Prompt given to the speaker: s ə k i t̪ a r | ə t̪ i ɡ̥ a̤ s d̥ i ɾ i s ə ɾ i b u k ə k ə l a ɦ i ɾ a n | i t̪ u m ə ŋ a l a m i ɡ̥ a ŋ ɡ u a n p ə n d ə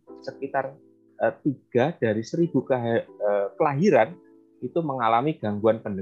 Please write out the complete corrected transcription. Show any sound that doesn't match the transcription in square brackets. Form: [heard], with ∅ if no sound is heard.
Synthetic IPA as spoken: s ə k i t̪ a r | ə t̪ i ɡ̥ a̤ [h] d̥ [a] ɾ i s ə ɾ i b u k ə k ə l a ɦ i ɾ a n | i t̪ u m ə ŋ a l a m i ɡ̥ a ŋ ɡ u a n p ə n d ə